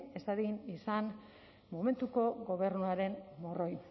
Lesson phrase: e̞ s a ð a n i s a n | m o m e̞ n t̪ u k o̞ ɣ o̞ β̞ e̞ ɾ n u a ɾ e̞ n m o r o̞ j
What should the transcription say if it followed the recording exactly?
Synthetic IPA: e̞ s a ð i n i s a n | m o m e̞ n t̪ u k o̞ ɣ o̞ β̞ e̞ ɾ n u a ɾ e̞ n m o r o̞ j